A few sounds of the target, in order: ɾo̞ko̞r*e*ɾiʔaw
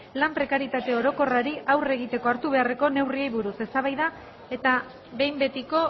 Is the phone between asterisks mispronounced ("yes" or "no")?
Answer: yes